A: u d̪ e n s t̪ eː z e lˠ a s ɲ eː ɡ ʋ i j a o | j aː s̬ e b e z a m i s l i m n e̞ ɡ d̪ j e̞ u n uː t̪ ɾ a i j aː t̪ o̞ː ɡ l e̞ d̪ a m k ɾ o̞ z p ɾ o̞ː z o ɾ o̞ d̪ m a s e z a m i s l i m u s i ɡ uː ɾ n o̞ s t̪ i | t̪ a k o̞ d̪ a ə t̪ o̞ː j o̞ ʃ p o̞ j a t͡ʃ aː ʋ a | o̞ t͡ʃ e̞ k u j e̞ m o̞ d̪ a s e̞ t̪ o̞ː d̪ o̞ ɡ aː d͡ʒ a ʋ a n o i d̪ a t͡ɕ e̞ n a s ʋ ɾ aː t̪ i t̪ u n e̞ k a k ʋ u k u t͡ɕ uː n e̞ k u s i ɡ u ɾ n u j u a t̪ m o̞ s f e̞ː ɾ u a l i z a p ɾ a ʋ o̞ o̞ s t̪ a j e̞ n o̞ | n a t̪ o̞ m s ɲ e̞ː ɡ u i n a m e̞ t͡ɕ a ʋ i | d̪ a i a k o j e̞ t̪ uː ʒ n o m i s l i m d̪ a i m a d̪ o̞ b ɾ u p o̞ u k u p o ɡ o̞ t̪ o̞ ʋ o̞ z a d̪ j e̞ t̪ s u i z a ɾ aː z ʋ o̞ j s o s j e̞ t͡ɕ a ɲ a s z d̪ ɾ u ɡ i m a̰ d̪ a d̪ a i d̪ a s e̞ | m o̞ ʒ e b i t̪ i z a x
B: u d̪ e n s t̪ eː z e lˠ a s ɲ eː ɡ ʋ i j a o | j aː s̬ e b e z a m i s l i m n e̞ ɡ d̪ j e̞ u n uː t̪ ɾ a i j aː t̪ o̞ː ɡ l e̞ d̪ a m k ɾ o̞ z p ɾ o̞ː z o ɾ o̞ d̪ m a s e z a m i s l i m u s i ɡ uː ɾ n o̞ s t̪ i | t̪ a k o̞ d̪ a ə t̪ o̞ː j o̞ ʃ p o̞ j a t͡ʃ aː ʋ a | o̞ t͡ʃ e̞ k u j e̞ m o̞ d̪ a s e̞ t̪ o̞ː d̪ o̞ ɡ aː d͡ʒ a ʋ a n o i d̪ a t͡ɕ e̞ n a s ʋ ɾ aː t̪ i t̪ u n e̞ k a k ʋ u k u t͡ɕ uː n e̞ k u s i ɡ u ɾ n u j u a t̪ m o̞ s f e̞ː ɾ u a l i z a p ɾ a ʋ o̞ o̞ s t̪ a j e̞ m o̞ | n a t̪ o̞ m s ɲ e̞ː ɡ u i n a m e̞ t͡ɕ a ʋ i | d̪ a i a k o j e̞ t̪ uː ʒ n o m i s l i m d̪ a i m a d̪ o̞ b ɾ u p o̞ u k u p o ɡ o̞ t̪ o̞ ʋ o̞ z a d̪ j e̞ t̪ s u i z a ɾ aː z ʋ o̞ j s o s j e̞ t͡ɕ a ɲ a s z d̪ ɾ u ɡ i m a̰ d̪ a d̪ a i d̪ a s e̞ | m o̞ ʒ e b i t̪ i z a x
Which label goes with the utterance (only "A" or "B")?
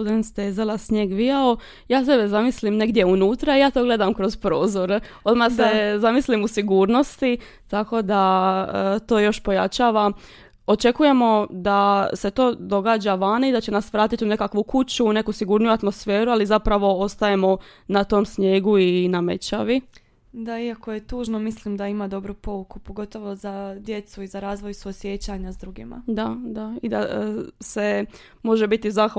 B